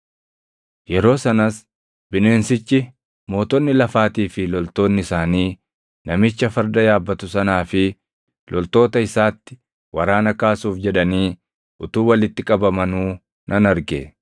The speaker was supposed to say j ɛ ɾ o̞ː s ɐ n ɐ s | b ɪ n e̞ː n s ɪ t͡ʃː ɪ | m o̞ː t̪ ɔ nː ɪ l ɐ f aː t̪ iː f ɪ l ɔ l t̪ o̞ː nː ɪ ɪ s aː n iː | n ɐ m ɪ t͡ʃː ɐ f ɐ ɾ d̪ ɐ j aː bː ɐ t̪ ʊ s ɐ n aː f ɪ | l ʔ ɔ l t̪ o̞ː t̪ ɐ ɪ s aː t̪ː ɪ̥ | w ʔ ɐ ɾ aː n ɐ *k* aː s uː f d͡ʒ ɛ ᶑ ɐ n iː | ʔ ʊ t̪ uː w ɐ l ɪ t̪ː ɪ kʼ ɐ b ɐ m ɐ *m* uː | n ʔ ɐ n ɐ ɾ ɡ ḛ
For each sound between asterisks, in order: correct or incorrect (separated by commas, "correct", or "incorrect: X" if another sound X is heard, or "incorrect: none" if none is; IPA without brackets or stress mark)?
correct, incorrect: n